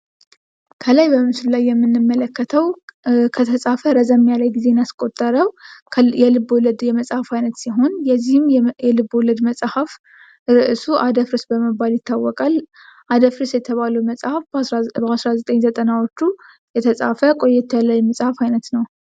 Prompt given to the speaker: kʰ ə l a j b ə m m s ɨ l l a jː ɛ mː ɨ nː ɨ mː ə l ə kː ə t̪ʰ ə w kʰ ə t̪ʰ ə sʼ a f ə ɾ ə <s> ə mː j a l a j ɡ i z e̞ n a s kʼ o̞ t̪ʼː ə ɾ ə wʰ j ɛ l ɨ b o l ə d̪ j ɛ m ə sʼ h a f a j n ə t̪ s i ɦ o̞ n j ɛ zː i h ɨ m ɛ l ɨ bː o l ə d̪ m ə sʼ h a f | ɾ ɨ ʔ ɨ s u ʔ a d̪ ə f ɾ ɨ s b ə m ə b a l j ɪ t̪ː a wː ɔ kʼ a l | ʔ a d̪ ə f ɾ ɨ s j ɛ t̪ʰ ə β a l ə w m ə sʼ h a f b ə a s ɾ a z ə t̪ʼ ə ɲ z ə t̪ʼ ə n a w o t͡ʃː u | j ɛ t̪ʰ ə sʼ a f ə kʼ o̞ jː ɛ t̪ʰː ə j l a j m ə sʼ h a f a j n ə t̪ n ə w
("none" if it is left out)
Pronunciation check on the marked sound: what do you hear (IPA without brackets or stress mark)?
z